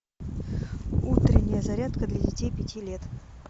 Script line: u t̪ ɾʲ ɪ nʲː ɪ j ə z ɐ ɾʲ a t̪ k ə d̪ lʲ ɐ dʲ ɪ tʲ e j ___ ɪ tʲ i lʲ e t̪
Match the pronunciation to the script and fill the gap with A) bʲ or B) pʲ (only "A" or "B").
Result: B